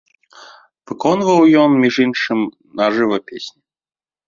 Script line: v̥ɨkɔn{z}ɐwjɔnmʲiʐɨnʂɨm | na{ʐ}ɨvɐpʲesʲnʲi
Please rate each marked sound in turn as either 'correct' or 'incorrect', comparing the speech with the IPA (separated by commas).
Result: incorrect, correct